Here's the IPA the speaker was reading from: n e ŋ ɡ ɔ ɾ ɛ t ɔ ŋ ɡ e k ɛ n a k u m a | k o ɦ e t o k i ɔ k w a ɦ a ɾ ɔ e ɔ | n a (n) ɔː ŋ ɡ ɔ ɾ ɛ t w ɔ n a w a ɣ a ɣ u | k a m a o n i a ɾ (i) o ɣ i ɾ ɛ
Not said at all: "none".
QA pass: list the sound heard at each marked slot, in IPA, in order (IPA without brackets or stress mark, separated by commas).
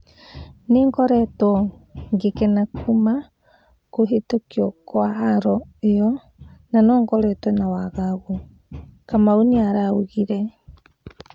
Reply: n, a